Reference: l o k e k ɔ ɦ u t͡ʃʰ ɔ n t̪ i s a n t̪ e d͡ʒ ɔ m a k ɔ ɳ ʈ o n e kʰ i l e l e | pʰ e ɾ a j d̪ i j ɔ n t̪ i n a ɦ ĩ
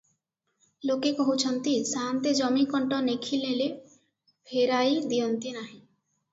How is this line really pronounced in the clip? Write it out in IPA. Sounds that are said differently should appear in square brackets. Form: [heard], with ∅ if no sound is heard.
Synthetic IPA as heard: l o k e k ɔ ɦ u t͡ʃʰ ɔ n t̪ i s a n t̪ e d͡ʒ ɔ m [i] k ɔ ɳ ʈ [ɔ] n e kʰ i l e l e | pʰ e ɾ a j d̪ i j ɔ n t̪ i n a ɦ ĩ